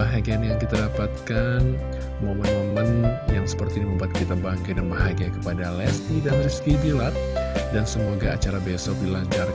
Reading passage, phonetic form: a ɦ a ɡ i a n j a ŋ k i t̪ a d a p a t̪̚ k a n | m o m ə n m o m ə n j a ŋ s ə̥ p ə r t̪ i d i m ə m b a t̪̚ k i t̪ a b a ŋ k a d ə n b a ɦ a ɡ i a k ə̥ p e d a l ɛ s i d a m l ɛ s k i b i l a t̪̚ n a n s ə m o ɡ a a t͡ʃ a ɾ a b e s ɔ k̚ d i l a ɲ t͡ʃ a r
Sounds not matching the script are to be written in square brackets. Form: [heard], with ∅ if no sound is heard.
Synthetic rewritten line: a ɦ a ɡ i a n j a ŋ k i t̪ a d a p a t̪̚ k a n | m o m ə n m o m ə n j a ŋ s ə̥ p ə r t̪ i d i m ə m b a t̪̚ k i t̪ a b a ŋ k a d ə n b a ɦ a ɡ i a k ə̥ p [a] d a l ɛ s i d a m l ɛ s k i b i l a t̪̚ [d] a n s ə m o ɡ a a t͡ʃ a ɾ a b e s ɔ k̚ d i l a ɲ t͡ʃ a r